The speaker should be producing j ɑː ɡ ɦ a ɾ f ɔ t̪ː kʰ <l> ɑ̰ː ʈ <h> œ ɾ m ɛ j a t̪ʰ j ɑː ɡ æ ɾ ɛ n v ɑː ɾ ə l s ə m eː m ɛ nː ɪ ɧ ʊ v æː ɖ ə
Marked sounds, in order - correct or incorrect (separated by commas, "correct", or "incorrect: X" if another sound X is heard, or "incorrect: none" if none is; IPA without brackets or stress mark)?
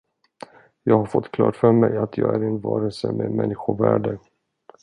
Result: correct, incorrect: f